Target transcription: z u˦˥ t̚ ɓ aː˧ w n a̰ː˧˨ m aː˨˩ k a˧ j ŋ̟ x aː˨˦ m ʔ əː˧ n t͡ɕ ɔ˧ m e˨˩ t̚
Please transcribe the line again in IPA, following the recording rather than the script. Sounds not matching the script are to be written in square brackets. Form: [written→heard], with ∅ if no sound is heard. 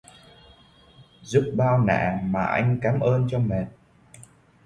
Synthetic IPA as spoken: z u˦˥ [t̚→p̚] ɓ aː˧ w n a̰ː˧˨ m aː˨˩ [k→ʔ] a˧ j ŋ̟ [x→k] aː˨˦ m ʔ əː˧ n t͡ɕ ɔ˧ m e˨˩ t̚